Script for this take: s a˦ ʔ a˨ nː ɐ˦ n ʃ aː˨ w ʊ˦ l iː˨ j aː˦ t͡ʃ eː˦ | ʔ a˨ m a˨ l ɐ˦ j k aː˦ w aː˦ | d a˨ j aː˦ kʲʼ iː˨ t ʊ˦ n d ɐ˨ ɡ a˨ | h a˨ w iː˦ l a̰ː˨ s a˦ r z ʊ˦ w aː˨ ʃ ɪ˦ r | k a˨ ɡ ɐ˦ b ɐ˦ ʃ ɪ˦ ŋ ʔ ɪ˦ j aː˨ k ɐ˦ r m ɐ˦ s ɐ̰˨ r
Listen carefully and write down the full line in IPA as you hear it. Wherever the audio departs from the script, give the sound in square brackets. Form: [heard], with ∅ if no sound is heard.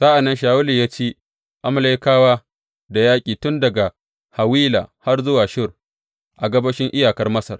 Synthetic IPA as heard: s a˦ ʔ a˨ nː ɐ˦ n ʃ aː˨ w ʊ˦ l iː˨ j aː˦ t͡ʃ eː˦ | ʔ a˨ m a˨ l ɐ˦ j k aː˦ w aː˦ | d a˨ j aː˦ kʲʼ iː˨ t ʊ˦ n d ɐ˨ ɡ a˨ | h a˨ w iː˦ l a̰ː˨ [h] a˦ r z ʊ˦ w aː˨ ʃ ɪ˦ r | [ʔ] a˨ ɡ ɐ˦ b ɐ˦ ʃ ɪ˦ ŋ ʔ ɪ˦ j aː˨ k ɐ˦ r m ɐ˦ s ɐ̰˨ r